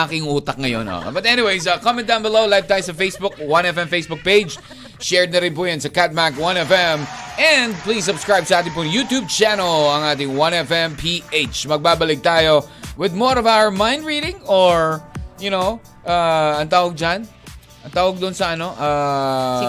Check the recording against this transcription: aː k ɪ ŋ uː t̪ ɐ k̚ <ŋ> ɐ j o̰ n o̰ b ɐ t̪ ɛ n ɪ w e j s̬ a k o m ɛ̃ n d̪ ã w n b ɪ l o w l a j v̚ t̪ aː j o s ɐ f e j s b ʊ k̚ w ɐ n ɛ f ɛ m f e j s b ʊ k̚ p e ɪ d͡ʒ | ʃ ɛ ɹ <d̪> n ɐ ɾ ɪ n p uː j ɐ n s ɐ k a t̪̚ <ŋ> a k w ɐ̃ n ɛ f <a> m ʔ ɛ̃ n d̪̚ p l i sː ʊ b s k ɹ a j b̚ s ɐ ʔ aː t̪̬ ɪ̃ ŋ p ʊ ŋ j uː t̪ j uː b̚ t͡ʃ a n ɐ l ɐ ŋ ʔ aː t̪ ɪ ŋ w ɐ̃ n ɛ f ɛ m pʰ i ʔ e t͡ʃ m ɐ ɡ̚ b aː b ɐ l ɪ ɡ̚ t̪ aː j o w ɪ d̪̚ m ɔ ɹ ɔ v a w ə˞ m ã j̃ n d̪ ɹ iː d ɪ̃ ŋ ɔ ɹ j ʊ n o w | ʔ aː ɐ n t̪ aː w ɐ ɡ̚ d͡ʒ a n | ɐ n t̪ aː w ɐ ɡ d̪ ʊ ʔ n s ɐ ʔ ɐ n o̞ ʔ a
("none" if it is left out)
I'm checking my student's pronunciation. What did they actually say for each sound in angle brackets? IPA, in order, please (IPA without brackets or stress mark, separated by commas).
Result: ŋ, d̪, m, ɛ